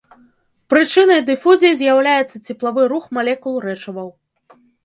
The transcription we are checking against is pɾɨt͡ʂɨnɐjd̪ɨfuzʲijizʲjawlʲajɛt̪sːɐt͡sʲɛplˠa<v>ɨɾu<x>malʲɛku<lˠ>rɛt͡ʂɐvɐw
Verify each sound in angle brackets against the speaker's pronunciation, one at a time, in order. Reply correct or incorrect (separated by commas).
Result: correct, correct, correct